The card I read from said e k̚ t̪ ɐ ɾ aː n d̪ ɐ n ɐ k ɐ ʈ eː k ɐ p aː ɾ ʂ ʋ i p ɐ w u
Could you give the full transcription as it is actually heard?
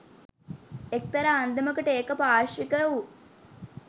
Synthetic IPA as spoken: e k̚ t̪ ɐ ɾ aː n d̪ ɐ m ɐ k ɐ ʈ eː k ɐ p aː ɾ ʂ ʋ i k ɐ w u